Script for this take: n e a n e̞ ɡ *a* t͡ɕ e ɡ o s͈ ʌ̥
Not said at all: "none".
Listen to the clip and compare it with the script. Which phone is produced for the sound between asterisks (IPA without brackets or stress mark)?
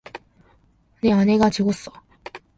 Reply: a